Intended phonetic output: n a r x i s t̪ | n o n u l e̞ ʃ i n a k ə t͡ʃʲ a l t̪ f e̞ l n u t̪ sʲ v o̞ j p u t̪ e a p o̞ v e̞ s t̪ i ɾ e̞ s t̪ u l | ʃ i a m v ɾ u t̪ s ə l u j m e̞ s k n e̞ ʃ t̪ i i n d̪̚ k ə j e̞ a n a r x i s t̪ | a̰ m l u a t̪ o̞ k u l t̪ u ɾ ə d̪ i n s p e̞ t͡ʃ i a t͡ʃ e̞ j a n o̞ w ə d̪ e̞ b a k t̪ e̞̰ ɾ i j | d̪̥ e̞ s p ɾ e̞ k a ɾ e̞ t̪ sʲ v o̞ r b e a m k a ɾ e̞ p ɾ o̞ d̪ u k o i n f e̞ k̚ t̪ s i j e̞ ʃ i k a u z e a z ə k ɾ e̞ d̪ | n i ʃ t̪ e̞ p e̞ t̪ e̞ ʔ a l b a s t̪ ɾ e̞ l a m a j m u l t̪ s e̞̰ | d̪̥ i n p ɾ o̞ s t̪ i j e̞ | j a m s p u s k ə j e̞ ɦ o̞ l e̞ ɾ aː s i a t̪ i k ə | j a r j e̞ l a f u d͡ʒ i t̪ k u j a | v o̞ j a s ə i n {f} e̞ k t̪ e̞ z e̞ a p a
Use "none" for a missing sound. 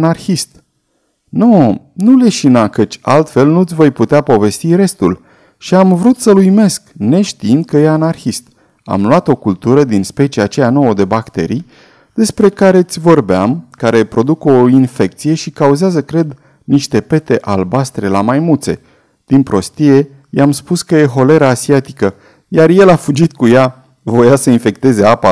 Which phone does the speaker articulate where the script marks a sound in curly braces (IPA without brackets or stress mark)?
f